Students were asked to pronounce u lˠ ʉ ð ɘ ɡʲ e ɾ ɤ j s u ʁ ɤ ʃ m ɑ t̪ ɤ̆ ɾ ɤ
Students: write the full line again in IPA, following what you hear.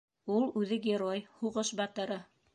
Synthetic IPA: u lˠ ʉ ð ɘ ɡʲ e ɾ o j h u ʁ ɤ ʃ b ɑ t̪ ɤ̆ ɾ ɤ